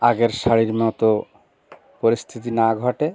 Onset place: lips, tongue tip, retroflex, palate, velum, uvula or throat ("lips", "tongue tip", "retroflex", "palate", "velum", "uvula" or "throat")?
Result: velum